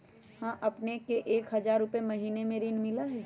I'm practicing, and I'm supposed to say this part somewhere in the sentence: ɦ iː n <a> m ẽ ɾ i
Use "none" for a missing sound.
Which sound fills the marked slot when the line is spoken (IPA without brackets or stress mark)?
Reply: e